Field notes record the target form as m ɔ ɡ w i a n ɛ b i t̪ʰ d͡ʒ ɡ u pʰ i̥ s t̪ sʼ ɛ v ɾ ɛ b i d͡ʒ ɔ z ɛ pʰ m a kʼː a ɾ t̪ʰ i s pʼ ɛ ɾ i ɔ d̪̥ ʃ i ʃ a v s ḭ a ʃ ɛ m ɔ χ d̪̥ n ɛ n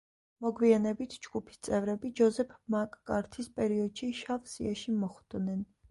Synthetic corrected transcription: m ɔ ɡ w i a n ɛ b i t̪ʰ d͡ʒ ɡ u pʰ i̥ s t̪ sʼ ɛ v ɾ ɛ b i d͡ʒ ɔ z ɛ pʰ m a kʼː a ɾ t̪ʰ i s pʼ ɛ ɾ i ɔ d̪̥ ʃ i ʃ a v s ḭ a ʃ i m ɔ χ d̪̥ n ɛ n